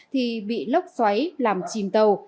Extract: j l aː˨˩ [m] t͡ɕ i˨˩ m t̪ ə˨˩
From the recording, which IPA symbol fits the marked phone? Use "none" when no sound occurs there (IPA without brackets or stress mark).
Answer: m